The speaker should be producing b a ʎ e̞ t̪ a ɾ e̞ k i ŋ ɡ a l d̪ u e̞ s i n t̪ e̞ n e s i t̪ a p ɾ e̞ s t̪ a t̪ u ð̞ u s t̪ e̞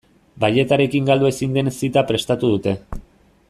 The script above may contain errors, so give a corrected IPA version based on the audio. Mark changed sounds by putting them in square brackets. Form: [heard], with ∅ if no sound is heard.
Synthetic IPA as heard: b a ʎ e̞ t̪ a ɾ e̞ k i ŋ ɡ a l d̪ u e̞ s i n [d̪] e̞ n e s i t̪ a p ɾ e̞ s t̪ a t̪ u ð̞ u [∅] t̪ e̞